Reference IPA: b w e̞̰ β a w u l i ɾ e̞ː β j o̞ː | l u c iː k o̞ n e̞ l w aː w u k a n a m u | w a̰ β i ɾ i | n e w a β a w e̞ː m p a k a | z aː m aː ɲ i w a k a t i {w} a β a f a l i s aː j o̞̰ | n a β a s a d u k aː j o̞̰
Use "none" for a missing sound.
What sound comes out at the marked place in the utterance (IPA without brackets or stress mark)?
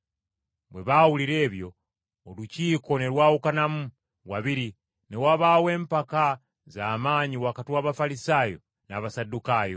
w